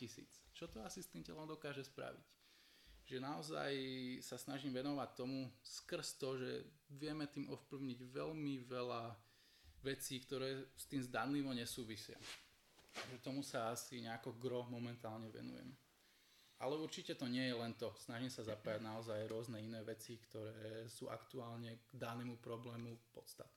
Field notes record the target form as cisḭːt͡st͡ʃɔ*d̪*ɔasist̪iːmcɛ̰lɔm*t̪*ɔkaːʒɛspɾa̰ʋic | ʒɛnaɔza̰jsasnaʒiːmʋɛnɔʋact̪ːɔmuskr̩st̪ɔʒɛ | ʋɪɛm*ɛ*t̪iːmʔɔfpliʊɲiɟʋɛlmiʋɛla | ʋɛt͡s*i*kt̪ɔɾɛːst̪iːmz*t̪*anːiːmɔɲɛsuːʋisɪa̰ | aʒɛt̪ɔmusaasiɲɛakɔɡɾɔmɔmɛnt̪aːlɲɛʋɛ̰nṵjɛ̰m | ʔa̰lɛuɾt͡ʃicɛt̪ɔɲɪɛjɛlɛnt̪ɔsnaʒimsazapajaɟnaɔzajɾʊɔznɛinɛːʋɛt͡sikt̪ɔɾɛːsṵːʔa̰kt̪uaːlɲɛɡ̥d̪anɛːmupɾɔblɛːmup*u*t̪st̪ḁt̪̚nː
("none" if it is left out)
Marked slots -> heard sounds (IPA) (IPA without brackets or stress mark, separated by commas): t̪, d̪, ɛ, iː, d̪, ɔ